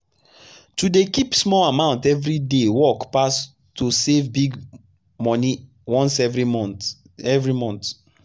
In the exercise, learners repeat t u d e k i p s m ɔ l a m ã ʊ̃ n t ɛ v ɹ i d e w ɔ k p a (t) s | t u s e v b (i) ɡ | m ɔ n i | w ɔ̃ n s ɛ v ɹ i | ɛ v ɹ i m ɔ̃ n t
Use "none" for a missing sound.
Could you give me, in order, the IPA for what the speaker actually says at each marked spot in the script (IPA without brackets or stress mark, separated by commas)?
none, i